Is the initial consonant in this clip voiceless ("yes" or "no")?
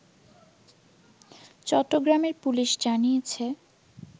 yes